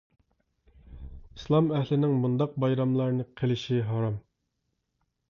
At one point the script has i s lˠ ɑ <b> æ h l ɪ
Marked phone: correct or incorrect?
incorrect